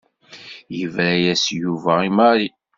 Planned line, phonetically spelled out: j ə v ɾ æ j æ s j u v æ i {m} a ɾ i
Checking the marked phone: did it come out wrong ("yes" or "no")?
no